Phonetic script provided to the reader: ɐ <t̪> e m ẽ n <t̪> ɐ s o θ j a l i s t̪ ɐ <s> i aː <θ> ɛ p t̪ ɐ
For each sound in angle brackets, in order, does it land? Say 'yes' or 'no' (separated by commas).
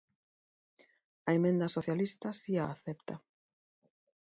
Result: no, no, yes, yes